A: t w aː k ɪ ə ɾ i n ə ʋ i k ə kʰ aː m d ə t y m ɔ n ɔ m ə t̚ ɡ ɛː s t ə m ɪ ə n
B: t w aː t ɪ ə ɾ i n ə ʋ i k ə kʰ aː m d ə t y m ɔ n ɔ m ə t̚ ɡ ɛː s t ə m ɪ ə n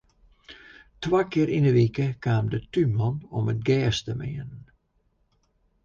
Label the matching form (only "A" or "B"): A